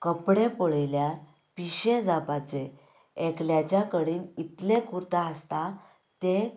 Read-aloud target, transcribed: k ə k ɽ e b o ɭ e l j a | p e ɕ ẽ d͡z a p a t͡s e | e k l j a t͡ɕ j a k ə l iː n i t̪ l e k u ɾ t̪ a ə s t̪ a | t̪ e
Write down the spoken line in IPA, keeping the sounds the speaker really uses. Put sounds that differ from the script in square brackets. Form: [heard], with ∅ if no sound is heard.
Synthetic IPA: k ə [p] ɽ e [p] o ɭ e l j a | p [i] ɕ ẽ d͡z a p a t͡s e | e k l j a t͡ɕ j a k ə [ɽ] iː n i t̪ l e k u ɾ t̪ a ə s t̪ a | t̪ e